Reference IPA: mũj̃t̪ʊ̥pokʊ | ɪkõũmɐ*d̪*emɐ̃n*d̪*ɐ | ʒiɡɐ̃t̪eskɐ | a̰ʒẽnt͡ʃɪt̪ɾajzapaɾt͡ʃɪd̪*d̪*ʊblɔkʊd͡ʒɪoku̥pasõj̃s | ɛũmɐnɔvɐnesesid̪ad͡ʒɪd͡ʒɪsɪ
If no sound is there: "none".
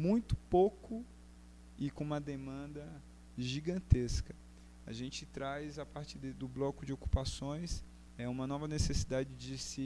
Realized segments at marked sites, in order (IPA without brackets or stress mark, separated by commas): d̪, d̪, d̪